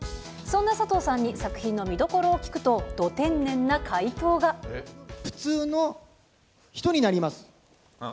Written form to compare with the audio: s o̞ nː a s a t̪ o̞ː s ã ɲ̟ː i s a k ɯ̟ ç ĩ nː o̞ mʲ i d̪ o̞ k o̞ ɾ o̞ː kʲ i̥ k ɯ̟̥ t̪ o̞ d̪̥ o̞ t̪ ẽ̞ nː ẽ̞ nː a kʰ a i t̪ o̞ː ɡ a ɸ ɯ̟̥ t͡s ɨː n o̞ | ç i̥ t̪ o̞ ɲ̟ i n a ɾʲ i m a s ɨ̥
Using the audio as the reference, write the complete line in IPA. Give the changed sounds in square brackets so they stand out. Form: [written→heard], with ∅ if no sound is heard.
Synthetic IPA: s [o̞→õ̞] nː a s a t̪ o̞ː s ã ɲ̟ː i s a k ɯ̟ ç ĩ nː o̞ mʲ i d̪ o̞ k o̞ ɾ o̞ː kʲ i̥ k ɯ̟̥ t̪ o̞ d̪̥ o̞ t̪ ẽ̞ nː ẽ̞ nː a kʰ a i t̪ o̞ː ɡ a ɸ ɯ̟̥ t͡s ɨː n o̞ | ç i̥ t̪ o̞ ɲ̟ i n a ɾʲ i m a s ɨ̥